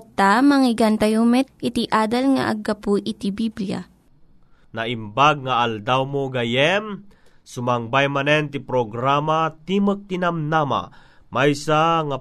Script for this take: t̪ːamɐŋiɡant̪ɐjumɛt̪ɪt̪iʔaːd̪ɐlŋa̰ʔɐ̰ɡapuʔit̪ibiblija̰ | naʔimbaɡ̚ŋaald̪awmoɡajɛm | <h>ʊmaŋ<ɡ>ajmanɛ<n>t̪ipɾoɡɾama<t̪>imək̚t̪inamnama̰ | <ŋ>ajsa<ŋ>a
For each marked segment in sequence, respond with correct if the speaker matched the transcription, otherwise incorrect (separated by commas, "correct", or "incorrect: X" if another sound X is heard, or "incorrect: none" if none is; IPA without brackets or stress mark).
incorrect: s, incorrect: b, correct, correct, incorrect: m, correct